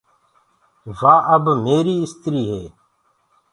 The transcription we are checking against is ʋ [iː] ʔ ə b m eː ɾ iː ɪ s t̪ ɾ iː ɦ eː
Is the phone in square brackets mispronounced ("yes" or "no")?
yes